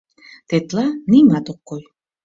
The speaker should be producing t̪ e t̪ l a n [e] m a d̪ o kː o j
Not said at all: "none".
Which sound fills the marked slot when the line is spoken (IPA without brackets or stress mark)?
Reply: i